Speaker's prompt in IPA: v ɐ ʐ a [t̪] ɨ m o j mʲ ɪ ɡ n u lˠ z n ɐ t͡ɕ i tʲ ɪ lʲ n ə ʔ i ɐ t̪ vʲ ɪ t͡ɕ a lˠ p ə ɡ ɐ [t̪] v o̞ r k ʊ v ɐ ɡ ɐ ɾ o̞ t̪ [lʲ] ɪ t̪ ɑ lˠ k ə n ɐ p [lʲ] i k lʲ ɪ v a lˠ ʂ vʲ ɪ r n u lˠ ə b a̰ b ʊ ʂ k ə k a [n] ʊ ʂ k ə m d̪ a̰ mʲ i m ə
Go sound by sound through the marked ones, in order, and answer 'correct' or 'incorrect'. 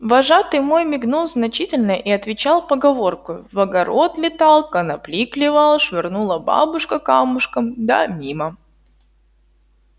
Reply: correct, incorrect: none, correct, correct, incorrect: m

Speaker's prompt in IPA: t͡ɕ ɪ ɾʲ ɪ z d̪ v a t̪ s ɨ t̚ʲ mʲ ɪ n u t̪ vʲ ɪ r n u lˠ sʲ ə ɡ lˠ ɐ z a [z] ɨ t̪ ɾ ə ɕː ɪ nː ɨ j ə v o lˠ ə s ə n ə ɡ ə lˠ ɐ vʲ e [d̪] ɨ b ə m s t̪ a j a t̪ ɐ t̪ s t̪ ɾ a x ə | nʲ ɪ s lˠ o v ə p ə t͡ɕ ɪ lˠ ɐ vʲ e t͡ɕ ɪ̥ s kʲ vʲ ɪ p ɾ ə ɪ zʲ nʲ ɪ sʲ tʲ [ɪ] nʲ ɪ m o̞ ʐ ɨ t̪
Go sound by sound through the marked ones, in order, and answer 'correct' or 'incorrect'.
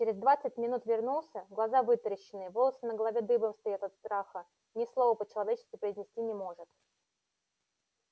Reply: incorrect: v, correct, incorrect: i

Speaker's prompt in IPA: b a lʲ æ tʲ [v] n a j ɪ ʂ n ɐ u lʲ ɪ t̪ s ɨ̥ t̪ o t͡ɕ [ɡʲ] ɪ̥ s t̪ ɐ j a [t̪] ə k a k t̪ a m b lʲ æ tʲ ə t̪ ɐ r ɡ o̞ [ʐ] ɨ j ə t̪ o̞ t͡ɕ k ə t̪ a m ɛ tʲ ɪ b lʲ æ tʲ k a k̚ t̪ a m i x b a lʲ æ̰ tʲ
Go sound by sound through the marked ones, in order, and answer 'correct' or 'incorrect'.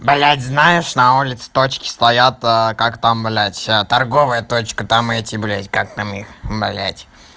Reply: incorrect: z, incorrect: kʲ, correct, incorrect: v

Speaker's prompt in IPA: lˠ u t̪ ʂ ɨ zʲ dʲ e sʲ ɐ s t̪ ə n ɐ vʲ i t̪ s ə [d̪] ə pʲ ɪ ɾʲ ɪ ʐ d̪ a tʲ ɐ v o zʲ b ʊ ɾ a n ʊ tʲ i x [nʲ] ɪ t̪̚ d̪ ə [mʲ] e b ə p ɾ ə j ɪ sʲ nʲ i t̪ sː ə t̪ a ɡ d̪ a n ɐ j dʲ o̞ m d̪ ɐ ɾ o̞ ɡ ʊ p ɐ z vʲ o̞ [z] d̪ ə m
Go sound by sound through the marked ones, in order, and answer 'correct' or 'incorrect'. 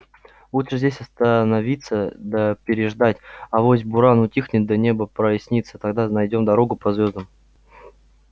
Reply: correct, correct, incorrect: nʲ, correct

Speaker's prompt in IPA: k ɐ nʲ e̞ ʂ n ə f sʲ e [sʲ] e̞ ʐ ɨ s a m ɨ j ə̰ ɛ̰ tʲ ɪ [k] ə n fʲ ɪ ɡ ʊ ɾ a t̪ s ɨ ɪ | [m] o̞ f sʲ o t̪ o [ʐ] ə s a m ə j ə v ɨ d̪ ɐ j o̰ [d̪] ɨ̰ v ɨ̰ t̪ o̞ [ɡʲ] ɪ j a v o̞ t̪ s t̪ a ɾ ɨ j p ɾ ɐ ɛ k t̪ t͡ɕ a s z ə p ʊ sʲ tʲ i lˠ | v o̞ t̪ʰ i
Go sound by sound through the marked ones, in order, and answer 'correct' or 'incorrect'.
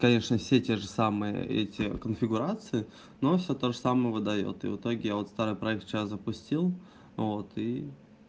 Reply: incorrect: tʲ, correct, incorrect: n, correct, incorrect: t̪, correct

